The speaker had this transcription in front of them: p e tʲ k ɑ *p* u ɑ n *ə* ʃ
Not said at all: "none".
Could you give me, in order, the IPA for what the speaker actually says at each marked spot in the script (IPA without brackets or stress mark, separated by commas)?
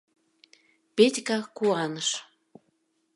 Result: k, ə